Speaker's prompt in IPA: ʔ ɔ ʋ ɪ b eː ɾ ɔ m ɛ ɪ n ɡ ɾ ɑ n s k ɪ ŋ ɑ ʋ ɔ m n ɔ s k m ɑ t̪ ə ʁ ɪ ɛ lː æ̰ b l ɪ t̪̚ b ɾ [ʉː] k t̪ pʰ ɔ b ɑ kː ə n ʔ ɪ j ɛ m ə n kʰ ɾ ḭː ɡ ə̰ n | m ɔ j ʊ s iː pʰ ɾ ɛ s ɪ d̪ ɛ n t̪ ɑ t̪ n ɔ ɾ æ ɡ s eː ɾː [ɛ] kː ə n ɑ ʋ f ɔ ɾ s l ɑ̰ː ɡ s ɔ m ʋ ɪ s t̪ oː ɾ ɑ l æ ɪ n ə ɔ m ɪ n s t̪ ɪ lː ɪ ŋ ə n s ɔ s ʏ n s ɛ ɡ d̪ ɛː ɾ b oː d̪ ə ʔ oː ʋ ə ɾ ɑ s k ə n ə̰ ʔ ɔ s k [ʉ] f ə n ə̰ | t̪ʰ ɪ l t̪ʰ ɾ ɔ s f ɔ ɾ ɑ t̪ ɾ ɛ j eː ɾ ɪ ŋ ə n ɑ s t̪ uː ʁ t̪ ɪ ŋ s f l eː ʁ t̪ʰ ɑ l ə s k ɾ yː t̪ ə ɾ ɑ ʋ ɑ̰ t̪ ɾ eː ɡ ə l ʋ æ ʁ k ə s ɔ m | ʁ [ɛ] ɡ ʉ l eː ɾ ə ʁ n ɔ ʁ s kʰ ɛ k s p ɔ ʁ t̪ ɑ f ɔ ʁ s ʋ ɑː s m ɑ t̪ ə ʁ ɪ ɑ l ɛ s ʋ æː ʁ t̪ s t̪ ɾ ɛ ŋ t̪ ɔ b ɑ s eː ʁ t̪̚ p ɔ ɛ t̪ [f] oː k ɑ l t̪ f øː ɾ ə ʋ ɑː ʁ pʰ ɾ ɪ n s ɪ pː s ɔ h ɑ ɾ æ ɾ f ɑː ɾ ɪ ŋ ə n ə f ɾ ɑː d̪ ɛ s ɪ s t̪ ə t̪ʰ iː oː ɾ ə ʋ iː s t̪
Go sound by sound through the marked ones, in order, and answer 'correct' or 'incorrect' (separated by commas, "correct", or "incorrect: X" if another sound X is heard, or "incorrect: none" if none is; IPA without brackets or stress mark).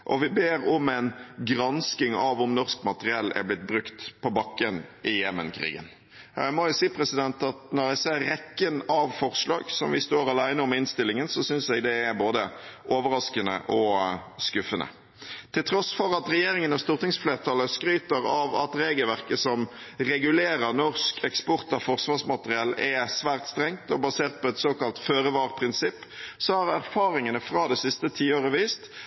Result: incorrect: ʉ, correct, correct, correct, incorrect: s